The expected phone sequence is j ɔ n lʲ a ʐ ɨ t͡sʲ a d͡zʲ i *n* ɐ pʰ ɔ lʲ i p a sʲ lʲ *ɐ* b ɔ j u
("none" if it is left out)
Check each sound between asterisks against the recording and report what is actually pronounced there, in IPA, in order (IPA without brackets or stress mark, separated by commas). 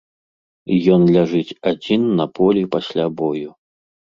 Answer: nː, a